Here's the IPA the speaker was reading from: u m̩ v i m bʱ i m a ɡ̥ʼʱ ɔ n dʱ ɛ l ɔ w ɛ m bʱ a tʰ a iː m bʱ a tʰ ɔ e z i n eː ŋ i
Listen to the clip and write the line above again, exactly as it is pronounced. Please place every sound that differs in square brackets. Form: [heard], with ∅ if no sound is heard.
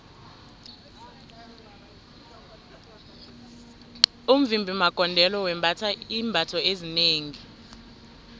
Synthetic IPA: u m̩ v i m bʱ i m a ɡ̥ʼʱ ɔ n dʱ ɛ l ɔ w ɛ m bʱ a tʰ a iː m bʱ a tʰ ɔ e z i n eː ŋ i

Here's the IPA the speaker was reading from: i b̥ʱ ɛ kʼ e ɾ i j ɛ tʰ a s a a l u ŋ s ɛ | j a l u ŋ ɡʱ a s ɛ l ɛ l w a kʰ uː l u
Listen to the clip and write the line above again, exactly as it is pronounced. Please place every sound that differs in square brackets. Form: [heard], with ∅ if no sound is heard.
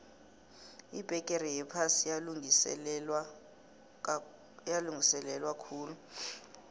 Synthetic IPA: i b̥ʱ ɛ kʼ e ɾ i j ɛ [pʰ] a s [i] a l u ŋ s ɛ | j a l u ŋ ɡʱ [i] s ɛ l ɛ l w a kʰ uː l u

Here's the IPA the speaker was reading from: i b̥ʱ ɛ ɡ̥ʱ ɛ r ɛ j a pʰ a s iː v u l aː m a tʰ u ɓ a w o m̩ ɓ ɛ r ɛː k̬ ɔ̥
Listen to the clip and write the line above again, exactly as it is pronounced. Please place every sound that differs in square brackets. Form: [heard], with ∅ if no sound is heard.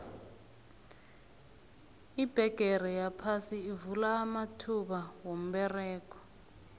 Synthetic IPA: i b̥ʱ ɛ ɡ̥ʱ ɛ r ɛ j a pʰ a s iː v u l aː m a tʰ u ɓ a w o m̩ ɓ ɛ r ɛː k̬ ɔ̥

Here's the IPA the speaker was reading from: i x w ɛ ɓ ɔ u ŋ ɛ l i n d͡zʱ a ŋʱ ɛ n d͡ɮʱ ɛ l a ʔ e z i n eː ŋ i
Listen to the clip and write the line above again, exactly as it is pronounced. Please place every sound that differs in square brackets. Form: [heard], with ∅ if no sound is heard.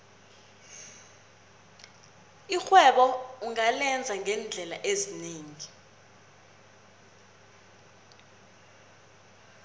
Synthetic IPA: i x w ɛ ɓ ɔ u ŋ [a] l [ɛ] n d͡zʱ a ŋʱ ɛ n d͡ɮʱ ɛ l a ʔ e z i n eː ŋ i

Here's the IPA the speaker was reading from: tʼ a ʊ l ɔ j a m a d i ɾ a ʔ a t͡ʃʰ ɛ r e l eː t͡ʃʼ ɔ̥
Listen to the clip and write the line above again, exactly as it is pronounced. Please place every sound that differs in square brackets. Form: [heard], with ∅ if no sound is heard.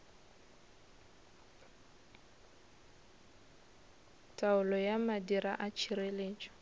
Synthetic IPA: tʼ a ʊ l ɔ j a m a d i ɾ a ʔ a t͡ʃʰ [i] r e l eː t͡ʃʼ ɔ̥

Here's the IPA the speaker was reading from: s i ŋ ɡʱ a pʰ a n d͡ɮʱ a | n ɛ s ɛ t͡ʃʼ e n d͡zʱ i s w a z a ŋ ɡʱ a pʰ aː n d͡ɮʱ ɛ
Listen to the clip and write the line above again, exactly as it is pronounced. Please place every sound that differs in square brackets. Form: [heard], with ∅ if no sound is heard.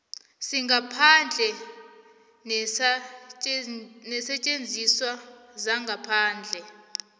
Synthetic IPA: s i ŋ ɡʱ a pʰ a n d͡ɮʱ [ɛ] | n ɛ s ɛ t͡ʃʼ e n d͡zʱ i s w a z a ŋ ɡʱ a pʰ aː n d͡ɮʱ ɛ

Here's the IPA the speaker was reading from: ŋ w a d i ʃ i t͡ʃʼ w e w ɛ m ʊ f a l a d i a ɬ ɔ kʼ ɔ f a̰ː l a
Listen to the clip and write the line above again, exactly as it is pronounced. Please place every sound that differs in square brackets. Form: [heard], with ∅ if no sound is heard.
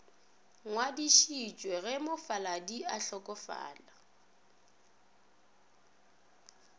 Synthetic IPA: ŋ w a d i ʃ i t͡ʃʼ w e [ɣ] ɛ m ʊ f a l a d i a ɬ ɔ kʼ ɔ f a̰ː l a

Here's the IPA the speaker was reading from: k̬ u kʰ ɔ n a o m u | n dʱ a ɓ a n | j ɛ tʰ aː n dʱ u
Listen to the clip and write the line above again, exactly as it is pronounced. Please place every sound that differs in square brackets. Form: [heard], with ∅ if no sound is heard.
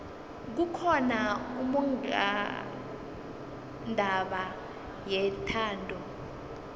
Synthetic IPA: k̬ u kʰ ɔ n a [u] m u | n dʱ a ɓ a [∅] | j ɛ tʰ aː n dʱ [ɔ]

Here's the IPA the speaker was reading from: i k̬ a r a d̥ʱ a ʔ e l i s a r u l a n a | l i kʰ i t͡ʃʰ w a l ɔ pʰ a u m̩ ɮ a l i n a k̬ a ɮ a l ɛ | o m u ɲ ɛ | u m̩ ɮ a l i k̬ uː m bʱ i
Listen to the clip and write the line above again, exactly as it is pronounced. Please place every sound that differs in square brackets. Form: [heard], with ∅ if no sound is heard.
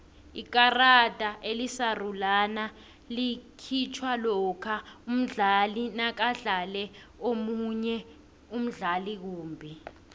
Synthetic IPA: i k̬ a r a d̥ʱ a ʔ e l i s a r u l a n a | l i kʰ i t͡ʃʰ w a l ɔ [kʰ] a u m̩ ɮ a l i n a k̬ a ɮ a l ɛ | o m u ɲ ɛ | u m̩ ɮ a l i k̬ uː m bʱ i

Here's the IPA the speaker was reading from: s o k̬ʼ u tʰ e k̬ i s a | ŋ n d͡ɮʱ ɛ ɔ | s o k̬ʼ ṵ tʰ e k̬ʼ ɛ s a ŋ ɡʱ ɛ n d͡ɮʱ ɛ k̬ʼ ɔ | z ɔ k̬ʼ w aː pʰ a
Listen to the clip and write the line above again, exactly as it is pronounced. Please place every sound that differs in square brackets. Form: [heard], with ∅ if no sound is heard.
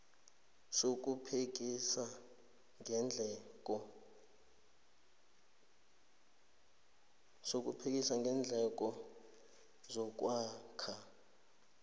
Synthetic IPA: s o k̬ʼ u [pʰ] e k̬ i s a | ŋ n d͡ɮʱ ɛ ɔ | s o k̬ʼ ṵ [pʰ] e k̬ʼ [i] s a ŋ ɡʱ ɛ n d͡ɮʱ ɛ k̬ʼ ɔ | z ɔ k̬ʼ w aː [kʰ] a

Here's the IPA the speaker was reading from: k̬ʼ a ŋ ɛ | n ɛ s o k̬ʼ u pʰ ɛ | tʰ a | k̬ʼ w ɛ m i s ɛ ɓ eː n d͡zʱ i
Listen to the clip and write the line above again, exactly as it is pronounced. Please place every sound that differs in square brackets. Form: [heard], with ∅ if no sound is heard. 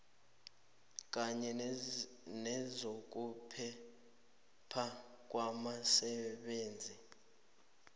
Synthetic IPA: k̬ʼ a [ɲ] ɛ | n ɛ [z] o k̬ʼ u pʰ ɛ | [pʰ] a | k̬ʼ w [a] m [a] s ɛ ɓ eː n d͡zʱ i

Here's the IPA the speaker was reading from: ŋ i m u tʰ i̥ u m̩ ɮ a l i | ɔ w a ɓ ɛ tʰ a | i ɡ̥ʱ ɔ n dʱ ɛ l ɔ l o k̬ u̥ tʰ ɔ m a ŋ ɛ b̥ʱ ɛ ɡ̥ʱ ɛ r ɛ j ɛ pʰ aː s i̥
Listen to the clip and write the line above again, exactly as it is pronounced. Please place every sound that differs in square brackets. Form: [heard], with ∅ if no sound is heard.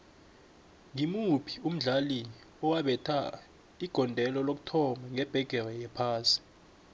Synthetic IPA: ŋ i m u [pʰ] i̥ u m̩ ɮ a l i | ɔ w a ɓ ɛ tʰ a | i ɡ̥ʱ ɔ n dʱ ɛ l ɔ l o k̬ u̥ tʰ ɔ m a ŋ ɛ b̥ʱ ɛ ɡ̥ʱ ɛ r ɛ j ɛ pʰ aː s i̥

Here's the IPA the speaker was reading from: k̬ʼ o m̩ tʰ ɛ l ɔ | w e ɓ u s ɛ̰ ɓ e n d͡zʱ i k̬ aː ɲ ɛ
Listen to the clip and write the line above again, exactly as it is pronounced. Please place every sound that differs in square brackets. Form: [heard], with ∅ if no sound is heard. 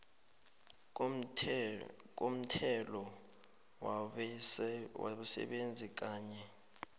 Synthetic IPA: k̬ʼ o m̩ tʰ ɛ l ɔ | w [a] ɓ u s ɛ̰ ɓ e n d͡zʱ i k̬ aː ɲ ɛ

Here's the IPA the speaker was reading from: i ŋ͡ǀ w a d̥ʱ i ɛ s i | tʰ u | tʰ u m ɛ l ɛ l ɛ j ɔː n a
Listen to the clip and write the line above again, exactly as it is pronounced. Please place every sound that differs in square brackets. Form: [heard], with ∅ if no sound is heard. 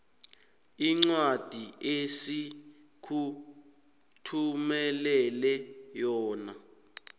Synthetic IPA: i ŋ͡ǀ w a d̥ʱ i [e] s i | [kʰ] u | tʰ u m ɛ l ɛ l ɛ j ɔː n a

